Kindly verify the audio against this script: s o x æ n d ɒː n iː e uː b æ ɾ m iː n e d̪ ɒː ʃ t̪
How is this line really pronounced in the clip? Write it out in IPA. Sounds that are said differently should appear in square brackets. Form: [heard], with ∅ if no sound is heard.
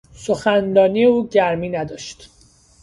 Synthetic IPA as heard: s o x æ n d ɒː n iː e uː [ɟ] æ ɾ m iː n [æ] d̪ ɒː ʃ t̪